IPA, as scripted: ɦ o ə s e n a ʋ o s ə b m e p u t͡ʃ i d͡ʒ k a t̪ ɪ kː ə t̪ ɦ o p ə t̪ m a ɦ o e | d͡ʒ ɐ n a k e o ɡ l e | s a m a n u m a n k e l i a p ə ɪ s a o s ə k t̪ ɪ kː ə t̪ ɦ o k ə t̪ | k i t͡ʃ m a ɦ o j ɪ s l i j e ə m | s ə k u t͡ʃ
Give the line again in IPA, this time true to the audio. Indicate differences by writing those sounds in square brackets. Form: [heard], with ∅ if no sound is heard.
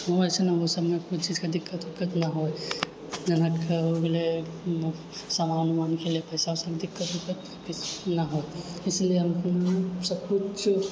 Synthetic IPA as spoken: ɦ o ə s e n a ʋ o s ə b m e [k] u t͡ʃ i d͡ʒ k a [d̪] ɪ kː ə t̪ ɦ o [k] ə t̪ [n] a ɦ o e | d͡ʒ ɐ n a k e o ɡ l e | s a m a n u m a n k e l i [e] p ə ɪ s a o s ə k [d̪] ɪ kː ə t̪ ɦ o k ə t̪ | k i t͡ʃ [n] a ɦ o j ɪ s l i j e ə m | s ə k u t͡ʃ